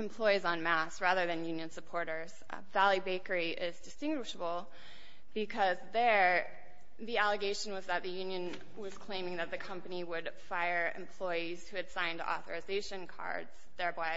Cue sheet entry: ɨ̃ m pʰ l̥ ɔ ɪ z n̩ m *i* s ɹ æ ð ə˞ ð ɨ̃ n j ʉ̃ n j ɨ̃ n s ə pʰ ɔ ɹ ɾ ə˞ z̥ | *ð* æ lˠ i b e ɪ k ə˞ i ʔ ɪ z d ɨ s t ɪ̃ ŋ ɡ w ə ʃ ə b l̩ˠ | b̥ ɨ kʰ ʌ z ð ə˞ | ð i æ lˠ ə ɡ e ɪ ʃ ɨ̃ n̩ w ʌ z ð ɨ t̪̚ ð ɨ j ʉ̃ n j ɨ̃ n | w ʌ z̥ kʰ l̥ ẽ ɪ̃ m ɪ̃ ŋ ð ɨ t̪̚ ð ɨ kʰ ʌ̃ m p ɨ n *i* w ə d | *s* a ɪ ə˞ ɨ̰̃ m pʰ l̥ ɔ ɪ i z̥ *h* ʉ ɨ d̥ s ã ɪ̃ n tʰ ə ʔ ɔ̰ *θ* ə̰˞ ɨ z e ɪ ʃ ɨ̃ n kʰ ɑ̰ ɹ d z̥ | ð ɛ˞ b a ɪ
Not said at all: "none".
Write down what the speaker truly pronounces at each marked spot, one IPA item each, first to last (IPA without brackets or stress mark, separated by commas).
æ, v, i, f, h, θ